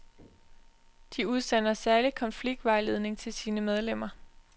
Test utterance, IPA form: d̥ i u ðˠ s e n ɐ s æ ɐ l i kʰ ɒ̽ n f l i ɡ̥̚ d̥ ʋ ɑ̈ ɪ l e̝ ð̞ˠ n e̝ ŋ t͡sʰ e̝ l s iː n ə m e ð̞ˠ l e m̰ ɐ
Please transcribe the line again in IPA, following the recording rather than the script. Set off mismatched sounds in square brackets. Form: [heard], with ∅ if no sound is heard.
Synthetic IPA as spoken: d̥ i u ðˠ s e n ɐ s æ ɐ l i kʰ ɒ̽ n f l i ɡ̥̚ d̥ ʋ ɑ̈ ɪ l e̝ ð̞ˠ n e̝ ŋ t͡sʰ e̝ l s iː n ə m e ð̞ˠ l e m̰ ɐ